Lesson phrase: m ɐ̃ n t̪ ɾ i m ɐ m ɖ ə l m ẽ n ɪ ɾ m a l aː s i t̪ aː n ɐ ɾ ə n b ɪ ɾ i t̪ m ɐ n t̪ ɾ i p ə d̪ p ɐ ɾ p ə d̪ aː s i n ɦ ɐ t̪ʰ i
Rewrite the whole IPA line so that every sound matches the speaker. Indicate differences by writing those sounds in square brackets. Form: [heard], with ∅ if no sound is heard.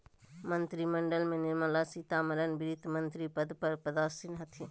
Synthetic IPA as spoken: m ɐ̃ n t̪ ɾ i m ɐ [ɳ] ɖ ə l m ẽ n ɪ ɾ m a l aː s i t̪ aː [m] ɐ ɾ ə n b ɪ ɾ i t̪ m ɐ n t̪ ɾ i p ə d̪ p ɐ ɾ p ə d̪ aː s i n ɦ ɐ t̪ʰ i